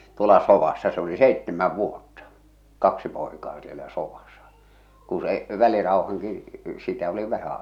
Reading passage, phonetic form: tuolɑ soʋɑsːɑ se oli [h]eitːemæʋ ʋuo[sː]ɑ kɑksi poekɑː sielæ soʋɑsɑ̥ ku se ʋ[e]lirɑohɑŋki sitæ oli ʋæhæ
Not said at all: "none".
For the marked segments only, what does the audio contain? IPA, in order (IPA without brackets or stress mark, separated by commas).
s, tː, æ